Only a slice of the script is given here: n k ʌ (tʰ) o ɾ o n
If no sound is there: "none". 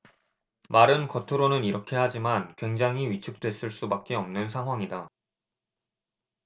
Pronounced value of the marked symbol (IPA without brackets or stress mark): tʰ